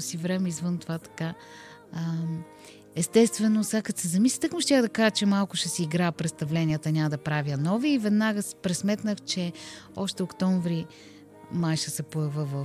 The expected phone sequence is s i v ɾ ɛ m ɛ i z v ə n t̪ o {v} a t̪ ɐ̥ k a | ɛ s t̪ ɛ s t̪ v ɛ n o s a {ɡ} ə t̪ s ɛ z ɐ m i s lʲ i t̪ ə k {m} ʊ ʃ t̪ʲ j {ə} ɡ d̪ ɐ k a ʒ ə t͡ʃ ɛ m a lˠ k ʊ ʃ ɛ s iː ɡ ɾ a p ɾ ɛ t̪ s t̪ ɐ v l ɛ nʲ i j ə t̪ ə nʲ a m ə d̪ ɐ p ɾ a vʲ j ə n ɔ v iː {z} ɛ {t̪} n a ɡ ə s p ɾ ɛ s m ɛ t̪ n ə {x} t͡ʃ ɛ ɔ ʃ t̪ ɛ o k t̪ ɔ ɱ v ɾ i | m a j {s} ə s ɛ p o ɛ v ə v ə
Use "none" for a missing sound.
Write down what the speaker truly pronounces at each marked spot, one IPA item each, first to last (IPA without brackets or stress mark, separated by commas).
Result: v, k, m, a, v, d̪, x, ʃ